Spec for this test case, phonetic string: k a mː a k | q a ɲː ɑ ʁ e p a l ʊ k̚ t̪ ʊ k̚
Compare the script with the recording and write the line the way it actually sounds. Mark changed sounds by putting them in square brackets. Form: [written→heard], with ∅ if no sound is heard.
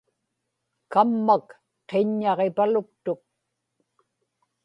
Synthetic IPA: k a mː a k | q [a→e] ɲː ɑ ʁ e p a l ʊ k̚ t̪ ʊ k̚